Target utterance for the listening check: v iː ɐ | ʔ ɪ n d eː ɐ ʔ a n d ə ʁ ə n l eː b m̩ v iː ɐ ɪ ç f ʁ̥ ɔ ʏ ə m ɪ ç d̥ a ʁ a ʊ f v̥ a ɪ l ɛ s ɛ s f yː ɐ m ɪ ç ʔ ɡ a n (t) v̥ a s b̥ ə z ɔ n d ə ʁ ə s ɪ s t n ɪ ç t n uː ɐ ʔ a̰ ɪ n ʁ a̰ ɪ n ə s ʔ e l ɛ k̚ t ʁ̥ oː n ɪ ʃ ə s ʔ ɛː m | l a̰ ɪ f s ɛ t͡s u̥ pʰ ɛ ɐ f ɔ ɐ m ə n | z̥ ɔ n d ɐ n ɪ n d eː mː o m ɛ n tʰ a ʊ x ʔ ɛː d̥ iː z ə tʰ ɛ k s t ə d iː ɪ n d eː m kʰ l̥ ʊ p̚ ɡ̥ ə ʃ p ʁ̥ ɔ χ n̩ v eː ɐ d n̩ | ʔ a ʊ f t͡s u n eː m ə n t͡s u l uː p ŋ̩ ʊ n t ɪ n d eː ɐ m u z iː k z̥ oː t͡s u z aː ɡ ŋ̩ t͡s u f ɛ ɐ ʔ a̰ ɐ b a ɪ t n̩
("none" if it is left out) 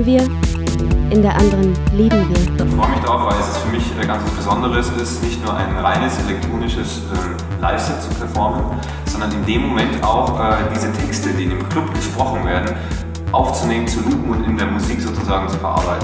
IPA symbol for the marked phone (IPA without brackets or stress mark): t͡s